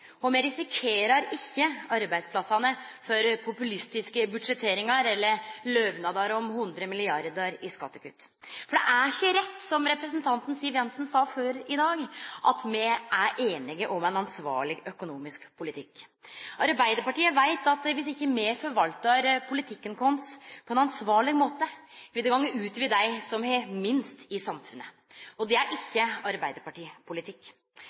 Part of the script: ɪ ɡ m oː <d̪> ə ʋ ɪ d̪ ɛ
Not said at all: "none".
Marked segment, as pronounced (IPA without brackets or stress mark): t̪